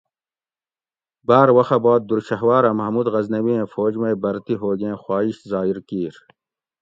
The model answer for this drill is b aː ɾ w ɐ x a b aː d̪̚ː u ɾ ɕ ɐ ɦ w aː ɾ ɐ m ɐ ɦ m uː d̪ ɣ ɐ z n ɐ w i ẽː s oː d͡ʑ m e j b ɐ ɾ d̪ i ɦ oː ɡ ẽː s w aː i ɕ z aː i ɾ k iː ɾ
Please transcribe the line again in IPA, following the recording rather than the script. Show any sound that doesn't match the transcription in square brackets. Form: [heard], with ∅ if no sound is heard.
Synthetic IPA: b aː ɾ w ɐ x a b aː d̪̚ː u ɾ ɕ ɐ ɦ w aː ɾ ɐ m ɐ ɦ m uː d̪ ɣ ɐ z n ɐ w i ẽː [f] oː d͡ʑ m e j b ɐ ɾ [t̪] i ɦ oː ɡ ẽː [x] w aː i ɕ z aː i ɾ k iː ɾ